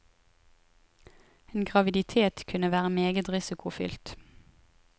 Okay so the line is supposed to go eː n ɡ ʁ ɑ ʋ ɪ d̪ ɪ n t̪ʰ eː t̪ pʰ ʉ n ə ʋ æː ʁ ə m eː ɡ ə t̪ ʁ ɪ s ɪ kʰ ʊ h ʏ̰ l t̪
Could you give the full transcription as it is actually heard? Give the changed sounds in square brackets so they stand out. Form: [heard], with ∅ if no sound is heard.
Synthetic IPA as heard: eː n ɡ ʁ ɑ ʋ ɪ d̪ ɪ [∅] t̪ʰ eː t̪ [kʰ] ʉ n ə ʋ æː ʁ ə m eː ɡ ə t̪ ʁ ɪ s ɪ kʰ ʊ [f] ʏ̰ l t̪

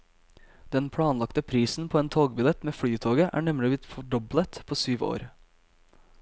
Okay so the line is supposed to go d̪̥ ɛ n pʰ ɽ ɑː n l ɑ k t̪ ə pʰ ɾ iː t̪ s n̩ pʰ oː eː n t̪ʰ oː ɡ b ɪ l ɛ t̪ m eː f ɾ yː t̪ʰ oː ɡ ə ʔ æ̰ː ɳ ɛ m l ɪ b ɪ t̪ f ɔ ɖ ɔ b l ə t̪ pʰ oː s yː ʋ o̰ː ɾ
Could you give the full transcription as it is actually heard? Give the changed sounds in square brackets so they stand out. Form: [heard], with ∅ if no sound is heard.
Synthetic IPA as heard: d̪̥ ɛ n pʰ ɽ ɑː n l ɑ k t̪ ə pʰ ɾ iː [∅] s n̩ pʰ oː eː n t̪ʰ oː ɡ b ɪ l ɛ t̪ m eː f [ɽ] yː t̪ʰ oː ɡ ə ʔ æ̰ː ɳ ɛ m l ɪ b ɪ t̪ f ɔ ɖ ɔ b l ə t̪ pʰ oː s yː ʋ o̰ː ɾ

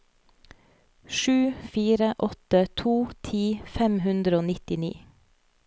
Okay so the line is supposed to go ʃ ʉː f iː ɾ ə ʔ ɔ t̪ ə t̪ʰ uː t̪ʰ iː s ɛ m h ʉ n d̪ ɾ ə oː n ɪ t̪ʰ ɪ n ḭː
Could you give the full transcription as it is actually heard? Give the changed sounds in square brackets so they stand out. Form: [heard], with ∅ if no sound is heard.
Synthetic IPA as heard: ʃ ʉː f iː ɾ ə ʔ ɔ t̪ ə t̪ʰ uː t̪ʰ iː [f] ɛ m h ʉ n d̪ ɾ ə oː n ɪ [t̪] ɪ n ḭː

